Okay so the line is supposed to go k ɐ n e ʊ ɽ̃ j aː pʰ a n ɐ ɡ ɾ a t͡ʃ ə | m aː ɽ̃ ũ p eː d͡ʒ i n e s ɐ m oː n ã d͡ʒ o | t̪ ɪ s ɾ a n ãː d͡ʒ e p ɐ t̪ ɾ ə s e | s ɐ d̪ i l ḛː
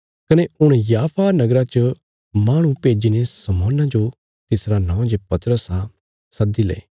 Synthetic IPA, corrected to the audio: k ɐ n e ʊ ɽ̃ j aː pʰ a n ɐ ɡ ɾ a t͡ʃ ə | m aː ɽ̃ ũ p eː d͡ʒ i n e s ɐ m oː n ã d͡ʒ o | t̪ ɪ s ɾ a n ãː d͡ʒ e p ɐ t̪ ɾ ə s a | s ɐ d̪ i l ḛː

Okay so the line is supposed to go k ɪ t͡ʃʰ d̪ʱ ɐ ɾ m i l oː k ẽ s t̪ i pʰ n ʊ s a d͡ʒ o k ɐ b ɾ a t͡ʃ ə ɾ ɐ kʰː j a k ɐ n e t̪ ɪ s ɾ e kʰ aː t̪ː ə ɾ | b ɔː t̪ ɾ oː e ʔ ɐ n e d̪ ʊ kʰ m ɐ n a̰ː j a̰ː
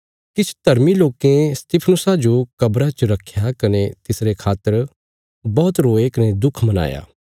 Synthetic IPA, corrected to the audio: k ɪ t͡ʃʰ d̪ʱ ɐ ɾ m i l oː k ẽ s t̪ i pʰ n ʊ s a d͡ʒ o k ɐ b ɾ a t͡ʃ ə ɾ ɐ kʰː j a k ɐ n e t̪ ɪ s ɾ e kʰ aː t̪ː ə ɾ | b ɔː t̪ ɾ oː e k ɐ n e d̪ ʊ kʰ m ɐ n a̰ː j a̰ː

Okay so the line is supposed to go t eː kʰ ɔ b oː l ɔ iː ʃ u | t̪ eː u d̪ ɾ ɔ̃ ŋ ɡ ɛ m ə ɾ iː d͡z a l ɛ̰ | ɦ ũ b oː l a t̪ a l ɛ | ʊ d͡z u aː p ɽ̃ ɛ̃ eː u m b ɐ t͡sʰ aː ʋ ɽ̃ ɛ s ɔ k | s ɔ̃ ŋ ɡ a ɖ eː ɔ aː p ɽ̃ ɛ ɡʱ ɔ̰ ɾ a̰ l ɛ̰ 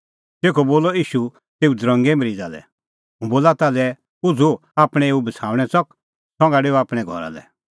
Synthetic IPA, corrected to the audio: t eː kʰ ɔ b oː l ɔ iː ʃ u | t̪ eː u d̪ ɾ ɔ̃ ŋ ɡ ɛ m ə ɾ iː d͡z a l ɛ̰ | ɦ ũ b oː l a t̪ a l ɛ | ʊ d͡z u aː p ɽ̃ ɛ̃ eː u b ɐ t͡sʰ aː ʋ ɽ̃ ɛ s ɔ k | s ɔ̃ ŋ ɡ a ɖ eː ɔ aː p ɽ̃ ɛ ɡʱ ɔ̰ ɾ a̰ l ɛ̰

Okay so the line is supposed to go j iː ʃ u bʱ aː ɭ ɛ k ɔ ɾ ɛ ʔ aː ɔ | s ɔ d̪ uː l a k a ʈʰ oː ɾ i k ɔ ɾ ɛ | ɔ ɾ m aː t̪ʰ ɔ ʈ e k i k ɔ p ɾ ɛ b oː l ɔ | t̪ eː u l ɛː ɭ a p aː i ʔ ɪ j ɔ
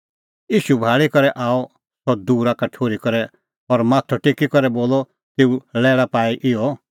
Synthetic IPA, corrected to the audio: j iː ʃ u bʱ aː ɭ i k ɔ ɾ ɛ ʔ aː ɔ | s ɔ d̪ uː ɾ a k a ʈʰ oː ɾ i k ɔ ɾ ɛ | ɔ ɾ m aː t̪ʰ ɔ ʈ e k i k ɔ ɾ ɛ b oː l ɔ | t̪ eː u l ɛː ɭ a p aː i ʔ ɪ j ɔ

